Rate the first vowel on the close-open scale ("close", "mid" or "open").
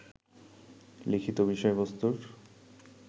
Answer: close